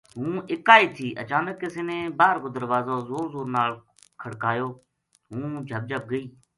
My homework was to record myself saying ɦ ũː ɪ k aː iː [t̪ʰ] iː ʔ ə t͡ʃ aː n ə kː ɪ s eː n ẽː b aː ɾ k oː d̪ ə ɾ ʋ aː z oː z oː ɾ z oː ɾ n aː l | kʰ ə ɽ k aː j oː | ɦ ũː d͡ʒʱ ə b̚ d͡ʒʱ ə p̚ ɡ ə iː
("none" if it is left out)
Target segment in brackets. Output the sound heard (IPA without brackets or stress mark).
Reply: t̪ʰ